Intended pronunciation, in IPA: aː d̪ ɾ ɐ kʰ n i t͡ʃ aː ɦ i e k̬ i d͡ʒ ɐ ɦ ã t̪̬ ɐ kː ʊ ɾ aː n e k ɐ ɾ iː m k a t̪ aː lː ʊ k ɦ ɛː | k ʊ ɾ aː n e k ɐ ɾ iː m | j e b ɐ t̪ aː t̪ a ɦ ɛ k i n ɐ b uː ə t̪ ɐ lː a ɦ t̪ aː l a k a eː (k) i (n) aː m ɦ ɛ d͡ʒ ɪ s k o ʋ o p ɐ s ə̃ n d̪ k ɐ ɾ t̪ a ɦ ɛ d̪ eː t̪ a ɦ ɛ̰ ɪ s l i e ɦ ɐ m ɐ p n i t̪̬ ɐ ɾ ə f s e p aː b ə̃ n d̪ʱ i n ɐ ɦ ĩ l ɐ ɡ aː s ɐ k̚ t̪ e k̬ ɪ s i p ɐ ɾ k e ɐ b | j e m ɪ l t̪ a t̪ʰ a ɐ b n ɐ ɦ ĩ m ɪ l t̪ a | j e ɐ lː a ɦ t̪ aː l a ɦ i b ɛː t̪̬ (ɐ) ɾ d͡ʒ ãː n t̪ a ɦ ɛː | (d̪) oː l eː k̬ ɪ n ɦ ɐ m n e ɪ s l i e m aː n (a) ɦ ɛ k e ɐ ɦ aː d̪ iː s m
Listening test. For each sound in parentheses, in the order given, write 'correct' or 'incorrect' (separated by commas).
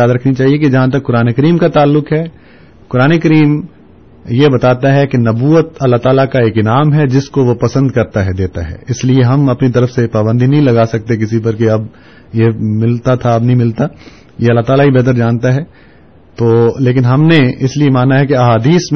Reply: correct, correct, incorrect, incorrect, correct